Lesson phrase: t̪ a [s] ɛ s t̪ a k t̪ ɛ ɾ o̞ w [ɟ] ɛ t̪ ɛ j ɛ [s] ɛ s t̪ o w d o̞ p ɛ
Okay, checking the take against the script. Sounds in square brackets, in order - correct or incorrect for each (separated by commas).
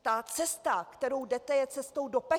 incorrect, incorrect, incorrect